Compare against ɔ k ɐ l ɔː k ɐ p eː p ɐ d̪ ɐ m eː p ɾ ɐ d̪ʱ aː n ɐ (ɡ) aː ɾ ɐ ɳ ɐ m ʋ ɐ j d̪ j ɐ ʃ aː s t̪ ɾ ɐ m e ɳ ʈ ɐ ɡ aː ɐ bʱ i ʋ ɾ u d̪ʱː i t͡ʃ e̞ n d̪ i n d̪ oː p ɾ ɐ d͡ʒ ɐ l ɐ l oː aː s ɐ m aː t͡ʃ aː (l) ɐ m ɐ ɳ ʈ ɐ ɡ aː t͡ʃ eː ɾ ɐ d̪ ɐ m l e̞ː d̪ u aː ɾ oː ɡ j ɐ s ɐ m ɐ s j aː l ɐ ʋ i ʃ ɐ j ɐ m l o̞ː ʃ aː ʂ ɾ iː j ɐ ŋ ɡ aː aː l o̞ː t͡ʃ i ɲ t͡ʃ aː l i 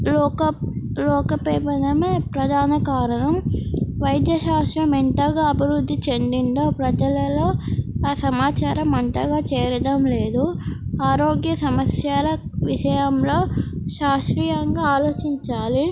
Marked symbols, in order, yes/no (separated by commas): no, no